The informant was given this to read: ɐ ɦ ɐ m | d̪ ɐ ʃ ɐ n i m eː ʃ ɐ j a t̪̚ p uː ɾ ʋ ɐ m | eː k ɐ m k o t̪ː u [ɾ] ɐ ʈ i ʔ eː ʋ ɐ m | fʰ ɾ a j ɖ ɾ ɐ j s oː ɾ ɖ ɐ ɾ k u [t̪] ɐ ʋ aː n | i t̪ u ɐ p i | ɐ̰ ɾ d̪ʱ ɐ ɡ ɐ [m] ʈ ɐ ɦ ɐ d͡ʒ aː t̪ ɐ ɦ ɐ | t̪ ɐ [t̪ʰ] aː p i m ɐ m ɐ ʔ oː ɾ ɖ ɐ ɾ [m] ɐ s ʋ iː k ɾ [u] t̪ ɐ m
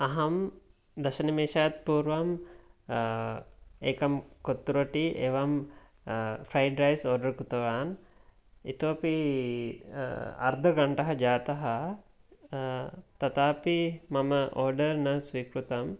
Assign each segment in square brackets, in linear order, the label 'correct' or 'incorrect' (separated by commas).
correct, correct, incorrect, incorrect, incorrect, correct